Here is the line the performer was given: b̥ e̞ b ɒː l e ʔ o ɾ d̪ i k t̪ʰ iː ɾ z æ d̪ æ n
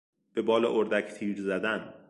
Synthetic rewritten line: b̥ e̞ b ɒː l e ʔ o ɾ d̪ æ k t̪ʰ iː ɾ z æ d̪ æ n